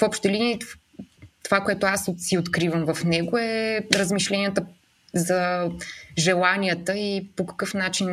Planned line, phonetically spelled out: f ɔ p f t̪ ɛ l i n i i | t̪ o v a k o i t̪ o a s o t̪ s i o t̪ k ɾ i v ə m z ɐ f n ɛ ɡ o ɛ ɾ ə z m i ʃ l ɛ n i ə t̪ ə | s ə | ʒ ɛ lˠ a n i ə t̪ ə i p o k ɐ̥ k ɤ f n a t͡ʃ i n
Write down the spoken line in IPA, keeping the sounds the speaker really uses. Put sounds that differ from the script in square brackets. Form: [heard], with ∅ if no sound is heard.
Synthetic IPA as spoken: f ɔ p [ʃ] t̪ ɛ l i n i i | t̪ o v a k o [ɛ] t̪ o a s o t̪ s i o t̪ k ɾ i v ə m [v] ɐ f n ɛ ɡ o ɛ ɾ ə z m i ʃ l ɛ n i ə t̪ ə | [z] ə | ʒ ɛ lˠ a n i ə t̪ ə i p o k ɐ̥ k ɤ f n a t͡ʃ i n